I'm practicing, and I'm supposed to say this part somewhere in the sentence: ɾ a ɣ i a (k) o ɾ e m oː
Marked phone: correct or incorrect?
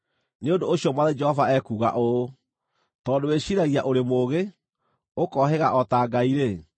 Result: incorrect